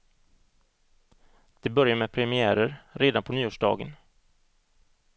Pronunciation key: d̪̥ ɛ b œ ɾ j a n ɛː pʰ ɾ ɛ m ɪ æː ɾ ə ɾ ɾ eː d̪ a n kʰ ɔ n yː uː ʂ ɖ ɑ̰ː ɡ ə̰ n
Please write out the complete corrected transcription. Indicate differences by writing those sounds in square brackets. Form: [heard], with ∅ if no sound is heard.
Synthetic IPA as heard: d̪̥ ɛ b œ ɾ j a [m] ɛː pʰ ɾ ɛ m ɪ æː ɾ ə ɾ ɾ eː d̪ a n [pʰ] ɔ n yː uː ʂ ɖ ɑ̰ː ɡ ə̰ n